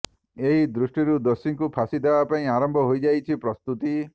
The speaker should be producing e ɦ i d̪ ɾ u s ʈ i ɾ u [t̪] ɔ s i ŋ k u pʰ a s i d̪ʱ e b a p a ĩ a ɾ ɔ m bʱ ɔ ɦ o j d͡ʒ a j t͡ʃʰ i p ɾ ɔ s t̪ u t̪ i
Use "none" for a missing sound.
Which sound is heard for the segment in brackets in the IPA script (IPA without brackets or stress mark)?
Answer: d̪